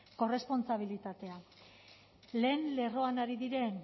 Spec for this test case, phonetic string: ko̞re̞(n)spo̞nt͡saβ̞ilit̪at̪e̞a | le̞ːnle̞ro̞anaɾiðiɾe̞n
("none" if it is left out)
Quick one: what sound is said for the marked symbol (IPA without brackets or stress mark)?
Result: none